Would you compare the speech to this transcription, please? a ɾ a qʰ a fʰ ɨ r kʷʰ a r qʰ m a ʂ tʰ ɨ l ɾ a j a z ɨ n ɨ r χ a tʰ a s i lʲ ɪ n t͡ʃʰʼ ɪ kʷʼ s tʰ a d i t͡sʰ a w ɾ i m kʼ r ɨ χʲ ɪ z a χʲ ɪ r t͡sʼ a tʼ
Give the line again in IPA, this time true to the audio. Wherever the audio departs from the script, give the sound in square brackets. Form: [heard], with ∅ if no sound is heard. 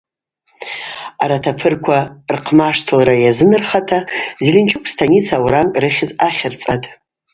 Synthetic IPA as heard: a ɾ a [tʰ] a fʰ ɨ r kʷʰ a r qʰ m a ʂ tʰ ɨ l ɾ a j a z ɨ n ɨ r χ a tʰ a [z] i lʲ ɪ n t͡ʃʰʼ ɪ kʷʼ s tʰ a [n] i t͡sʰ a w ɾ [a] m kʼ r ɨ χʲ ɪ z a χʲ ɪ r t͡sʼ a tʼ